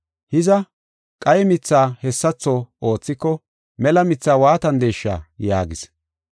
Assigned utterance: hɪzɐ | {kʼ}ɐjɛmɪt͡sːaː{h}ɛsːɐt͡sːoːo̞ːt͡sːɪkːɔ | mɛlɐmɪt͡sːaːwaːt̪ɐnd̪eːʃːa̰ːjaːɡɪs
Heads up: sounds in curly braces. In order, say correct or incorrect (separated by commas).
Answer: correct, correct